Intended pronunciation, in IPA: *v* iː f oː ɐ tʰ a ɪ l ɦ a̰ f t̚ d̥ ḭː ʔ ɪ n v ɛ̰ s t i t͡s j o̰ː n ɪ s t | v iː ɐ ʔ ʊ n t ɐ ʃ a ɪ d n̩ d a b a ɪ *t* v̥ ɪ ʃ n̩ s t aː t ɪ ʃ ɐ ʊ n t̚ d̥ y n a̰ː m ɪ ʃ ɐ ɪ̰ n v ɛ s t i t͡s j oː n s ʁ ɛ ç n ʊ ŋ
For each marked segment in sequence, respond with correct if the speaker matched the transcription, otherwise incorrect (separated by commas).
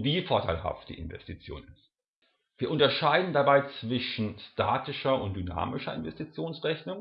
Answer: correct, incorrect